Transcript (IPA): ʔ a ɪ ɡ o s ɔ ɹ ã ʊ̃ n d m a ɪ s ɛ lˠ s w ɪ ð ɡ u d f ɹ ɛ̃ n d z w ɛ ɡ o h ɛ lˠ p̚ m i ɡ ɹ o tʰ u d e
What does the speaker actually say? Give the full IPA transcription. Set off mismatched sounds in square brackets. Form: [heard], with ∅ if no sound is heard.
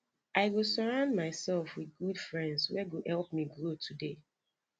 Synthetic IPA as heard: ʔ a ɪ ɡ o s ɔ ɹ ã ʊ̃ n d m a ɪ s ɛ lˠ [f] w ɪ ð ɡ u d f ɹ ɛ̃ n d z w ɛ ɡ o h ɛ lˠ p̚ m i ɡ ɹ o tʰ u d e